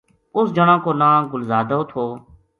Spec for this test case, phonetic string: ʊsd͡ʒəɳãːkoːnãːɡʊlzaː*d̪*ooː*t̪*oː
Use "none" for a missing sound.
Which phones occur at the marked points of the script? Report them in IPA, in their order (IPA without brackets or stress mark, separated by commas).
d̪, t̪ʰ